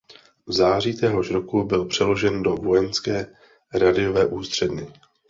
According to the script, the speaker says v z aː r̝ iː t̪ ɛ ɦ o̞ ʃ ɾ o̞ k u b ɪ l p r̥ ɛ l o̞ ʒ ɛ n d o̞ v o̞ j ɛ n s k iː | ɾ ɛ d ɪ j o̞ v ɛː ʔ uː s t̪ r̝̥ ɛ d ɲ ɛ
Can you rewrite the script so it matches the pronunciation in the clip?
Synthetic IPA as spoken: v z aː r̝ iː t̪ ɛ ɦ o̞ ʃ ɾ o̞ k u b ɪ l p r̥ ɛ l o̞ ʒ ɛ n d o̞ v o̞ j ɛ n s k ɛː | ɾ a d ɪ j o̞ v ɛː ʔ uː s t̪ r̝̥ ɛ d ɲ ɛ